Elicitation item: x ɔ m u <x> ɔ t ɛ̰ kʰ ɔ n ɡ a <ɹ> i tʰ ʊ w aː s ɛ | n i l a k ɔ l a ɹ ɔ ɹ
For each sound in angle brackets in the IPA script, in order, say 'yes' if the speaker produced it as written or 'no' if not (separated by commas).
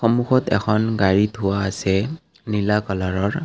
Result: yes, yes